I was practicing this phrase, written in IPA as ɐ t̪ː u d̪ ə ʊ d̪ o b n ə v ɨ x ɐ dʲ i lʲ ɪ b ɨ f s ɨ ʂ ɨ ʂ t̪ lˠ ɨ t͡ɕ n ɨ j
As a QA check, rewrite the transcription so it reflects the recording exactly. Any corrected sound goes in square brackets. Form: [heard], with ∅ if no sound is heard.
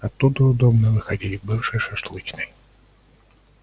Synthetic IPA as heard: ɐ t̪ː u d̪ ə ʊ d̪ o b n ə v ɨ x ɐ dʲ i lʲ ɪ b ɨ f [ʂ] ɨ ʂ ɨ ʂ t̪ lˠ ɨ t͡ɕ n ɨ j